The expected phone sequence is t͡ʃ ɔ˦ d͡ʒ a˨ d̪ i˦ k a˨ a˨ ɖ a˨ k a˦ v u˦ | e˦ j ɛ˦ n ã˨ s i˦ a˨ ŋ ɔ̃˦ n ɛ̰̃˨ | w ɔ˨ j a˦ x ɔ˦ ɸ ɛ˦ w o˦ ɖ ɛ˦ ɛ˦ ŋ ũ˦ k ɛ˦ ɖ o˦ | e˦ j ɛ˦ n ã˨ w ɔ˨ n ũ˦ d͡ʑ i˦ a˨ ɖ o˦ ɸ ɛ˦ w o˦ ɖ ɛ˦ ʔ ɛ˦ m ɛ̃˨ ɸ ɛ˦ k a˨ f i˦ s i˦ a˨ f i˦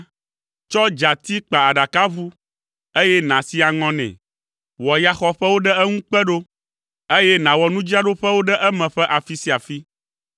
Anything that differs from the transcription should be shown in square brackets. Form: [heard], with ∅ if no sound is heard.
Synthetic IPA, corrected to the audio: t͡ʃ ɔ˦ d͡ʒ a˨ [t̪] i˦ [k͡p] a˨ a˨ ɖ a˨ k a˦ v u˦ | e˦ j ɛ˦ n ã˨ s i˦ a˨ ŋ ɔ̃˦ n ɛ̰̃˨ | w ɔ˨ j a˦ x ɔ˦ ɸ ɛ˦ w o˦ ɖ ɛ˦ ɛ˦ ŋ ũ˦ [k͡p] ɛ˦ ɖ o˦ | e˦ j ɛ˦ n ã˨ w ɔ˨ n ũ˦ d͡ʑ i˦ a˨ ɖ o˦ ɸ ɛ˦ w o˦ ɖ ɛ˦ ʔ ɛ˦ m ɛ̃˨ ɸ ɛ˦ [ʔ] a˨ f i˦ s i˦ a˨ f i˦